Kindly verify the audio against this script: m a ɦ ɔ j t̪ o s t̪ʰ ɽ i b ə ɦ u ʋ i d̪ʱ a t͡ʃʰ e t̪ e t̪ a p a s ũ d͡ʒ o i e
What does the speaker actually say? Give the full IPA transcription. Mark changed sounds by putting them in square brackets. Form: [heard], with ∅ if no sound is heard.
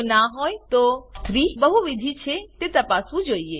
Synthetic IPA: [n] a ɦ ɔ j t̪ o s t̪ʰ [ɾ] i b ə ɦ u ʋ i d̪ʱ [i] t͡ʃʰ e t̪ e t̪ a p a s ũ d͡ʒ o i e